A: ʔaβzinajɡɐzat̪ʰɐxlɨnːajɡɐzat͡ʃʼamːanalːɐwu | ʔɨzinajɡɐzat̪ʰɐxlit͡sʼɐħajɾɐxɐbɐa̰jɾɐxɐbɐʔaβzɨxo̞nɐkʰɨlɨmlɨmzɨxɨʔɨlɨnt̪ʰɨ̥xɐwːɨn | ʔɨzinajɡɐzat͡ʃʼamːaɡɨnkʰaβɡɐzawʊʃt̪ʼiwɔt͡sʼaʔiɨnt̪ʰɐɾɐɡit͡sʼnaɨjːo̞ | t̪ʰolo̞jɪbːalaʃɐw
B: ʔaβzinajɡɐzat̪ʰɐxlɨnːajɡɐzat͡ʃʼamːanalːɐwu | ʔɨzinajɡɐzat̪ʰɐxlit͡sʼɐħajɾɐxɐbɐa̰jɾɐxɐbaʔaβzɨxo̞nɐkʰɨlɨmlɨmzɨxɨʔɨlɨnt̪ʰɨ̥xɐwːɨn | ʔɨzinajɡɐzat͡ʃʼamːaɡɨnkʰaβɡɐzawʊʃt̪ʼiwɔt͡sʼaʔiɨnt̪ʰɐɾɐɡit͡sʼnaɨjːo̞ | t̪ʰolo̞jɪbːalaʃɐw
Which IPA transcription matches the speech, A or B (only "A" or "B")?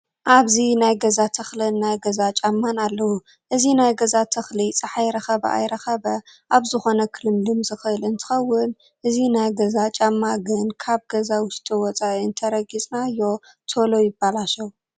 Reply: A